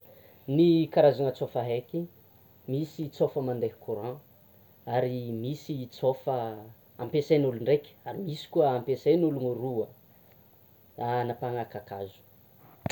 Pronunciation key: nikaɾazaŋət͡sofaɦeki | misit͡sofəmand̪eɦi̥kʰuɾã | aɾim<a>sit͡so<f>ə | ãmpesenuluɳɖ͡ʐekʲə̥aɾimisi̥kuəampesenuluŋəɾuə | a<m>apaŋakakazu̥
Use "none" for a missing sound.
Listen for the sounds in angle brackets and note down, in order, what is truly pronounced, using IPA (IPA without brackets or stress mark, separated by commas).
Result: i, f, n